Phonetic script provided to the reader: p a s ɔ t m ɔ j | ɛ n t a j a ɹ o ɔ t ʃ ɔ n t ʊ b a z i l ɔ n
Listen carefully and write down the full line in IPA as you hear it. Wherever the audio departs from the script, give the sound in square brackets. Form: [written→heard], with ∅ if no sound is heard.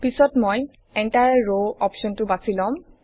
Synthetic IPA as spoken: p [a→i] s ɔ t m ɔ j | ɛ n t a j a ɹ o ɔ [t→p] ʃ ɔ n t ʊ b a [z→s] i l ɔ [n→m]